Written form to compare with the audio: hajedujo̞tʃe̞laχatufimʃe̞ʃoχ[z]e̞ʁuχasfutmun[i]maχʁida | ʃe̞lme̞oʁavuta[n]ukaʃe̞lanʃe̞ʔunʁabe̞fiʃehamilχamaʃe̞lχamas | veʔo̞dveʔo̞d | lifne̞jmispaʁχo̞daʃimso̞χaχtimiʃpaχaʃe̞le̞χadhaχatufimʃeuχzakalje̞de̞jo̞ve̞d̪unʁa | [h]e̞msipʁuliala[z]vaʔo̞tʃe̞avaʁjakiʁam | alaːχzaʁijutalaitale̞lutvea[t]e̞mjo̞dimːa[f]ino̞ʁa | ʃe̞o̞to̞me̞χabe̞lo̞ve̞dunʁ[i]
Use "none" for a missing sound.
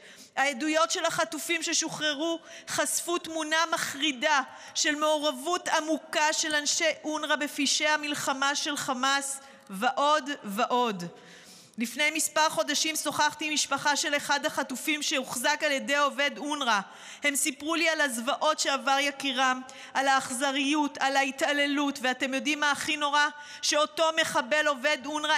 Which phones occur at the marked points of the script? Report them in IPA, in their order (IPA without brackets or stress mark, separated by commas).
ʁ, a, m, h, z, t, χ, a